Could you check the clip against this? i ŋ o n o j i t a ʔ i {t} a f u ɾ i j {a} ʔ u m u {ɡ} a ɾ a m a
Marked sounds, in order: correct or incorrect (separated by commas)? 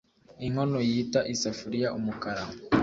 incorrect, correct, incorrect